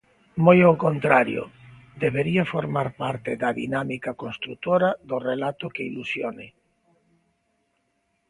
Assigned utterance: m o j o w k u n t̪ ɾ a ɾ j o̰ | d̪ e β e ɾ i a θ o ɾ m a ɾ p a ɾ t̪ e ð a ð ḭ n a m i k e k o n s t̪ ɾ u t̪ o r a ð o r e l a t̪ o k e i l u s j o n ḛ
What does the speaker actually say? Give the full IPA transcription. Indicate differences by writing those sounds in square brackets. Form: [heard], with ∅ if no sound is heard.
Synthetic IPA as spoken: m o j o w k [o] n t̪ ɾ a ɾ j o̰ | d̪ e β e ɾ i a [f] o ɾ m a ɾ p a ɾ t̪ e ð a ð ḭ n a m i k [a] k o n s t̪ ɾ u t̪ o [ɾ] a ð o r e l a t̪ o k e i l u s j o n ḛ